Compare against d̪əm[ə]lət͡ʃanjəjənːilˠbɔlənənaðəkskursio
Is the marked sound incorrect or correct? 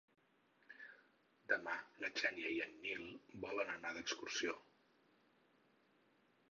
incorrect